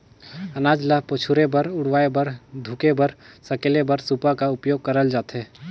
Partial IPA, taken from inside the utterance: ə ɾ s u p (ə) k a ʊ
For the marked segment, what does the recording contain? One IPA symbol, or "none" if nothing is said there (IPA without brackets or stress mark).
a